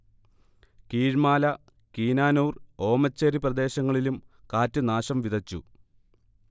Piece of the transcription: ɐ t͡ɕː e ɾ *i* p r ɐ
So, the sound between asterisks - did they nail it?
yes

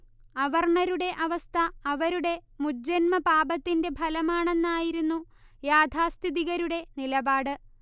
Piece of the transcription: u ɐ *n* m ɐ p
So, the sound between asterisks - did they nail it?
yes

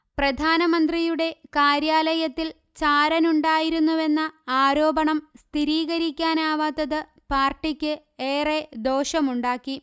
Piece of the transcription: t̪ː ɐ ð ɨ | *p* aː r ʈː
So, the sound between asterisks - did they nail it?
yes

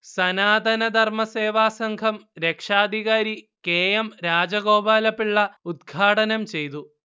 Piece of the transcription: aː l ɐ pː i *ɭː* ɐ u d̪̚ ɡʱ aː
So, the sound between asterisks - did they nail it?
yes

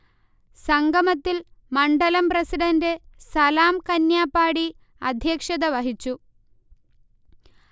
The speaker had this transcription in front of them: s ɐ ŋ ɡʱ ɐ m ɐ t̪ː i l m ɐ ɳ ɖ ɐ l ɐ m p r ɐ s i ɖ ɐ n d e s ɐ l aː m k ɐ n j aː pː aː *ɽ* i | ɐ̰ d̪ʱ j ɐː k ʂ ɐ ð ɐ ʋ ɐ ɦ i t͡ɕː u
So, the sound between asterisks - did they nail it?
yes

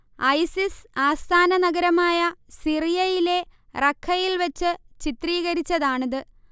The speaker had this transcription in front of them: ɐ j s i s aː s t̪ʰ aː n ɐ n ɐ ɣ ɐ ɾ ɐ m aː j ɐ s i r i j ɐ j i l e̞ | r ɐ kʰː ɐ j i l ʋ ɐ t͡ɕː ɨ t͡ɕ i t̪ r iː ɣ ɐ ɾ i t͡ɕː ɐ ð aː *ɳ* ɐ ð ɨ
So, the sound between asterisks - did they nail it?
yes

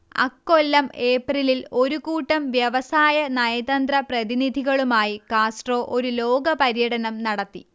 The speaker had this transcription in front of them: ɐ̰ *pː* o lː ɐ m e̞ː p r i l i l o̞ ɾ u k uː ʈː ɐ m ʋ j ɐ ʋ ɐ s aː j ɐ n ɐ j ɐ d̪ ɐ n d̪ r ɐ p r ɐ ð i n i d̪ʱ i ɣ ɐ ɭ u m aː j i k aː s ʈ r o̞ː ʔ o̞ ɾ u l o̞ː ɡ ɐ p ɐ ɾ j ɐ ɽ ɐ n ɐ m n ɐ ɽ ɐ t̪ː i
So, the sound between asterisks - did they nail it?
no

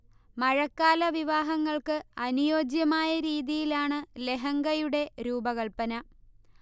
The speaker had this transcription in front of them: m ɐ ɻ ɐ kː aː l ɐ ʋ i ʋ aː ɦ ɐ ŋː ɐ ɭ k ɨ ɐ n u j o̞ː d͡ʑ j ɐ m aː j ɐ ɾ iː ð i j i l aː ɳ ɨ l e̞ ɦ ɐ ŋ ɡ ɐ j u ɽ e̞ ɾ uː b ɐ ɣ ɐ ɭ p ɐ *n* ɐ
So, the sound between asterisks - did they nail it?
yes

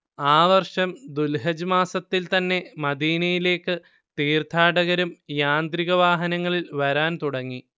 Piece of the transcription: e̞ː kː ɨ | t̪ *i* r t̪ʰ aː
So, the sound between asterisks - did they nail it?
no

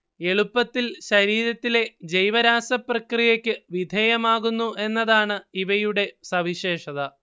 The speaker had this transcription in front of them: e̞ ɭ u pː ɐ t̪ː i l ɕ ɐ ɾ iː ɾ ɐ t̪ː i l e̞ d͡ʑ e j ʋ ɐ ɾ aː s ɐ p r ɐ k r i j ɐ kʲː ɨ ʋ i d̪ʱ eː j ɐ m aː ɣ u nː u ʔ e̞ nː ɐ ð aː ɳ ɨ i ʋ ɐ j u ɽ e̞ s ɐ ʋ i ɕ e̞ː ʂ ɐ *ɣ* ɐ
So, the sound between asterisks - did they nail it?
no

